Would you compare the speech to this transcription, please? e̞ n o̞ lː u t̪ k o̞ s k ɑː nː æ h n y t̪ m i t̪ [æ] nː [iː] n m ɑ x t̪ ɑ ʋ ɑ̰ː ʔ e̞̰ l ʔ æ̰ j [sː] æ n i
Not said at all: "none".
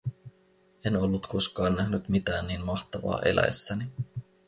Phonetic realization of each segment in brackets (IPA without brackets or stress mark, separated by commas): æː, iː, sː